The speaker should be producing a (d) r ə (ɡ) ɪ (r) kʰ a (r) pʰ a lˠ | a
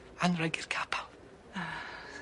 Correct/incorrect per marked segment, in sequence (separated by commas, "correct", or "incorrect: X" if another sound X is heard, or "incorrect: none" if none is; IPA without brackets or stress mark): incorrect: n, correct, correct, incorrect: none